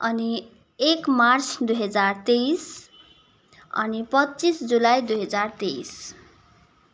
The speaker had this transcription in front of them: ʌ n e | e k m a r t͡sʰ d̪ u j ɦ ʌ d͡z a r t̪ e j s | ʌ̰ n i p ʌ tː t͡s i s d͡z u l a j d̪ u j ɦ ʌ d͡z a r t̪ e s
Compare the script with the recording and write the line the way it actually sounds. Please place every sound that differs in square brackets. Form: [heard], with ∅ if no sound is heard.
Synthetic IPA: ʌ n [i] | e k m a r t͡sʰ d̪ u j ɦ ʌ d͡z a r t̪ e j s | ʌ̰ n i p ʌ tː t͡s i s d͡z u l a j d̪ u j ɦ ʌ d͡z a r t̪ e s